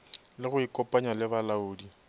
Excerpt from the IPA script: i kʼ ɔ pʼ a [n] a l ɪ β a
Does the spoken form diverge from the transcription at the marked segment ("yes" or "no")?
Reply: yes